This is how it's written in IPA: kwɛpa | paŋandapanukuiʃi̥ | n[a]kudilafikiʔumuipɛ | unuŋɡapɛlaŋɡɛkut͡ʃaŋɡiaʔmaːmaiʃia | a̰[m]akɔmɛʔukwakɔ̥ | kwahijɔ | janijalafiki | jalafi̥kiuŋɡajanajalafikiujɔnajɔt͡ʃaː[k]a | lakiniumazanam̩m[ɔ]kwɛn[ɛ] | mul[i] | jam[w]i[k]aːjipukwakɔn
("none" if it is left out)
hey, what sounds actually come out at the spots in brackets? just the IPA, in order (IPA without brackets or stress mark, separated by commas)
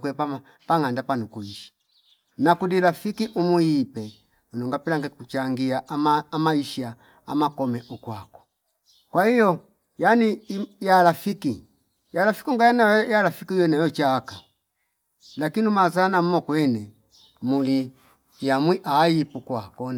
a, m, k, ɔ, ɛ, i, w, ʔ